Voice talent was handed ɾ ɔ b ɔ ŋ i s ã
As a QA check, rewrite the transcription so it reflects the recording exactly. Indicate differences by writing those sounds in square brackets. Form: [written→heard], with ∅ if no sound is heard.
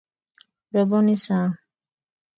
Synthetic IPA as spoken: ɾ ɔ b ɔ [ŋ→n] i s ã